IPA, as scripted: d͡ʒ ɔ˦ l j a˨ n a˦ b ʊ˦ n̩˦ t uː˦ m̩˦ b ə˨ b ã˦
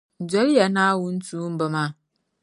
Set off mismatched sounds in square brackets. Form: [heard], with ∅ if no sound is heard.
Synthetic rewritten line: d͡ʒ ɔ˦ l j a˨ n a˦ [w] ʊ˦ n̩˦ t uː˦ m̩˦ b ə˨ [m] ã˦